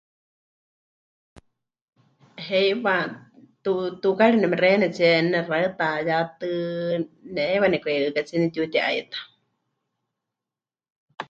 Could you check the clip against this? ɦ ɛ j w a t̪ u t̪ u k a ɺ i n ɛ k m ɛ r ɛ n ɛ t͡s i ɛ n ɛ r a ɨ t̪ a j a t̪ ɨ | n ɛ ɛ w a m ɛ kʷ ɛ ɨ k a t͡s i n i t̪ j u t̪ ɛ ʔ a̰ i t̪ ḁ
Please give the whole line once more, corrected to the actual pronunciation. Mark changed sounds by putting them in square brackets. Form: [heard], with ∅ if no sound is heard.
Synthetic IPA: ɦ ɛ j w a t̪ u t̪ u k a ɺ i n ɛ [∅] m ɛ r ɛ n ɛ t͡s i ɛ n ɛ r a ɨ t̪ a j a t̪ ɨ | n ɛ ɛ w a [n] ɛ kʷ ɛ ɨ k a t͡s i n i t̪ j u t̪ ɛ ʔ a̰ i t̪ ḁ